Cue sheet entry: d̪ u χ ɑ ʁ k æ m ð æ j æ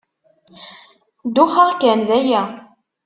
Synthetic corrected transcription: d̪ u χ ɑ ʁ k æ n ð æ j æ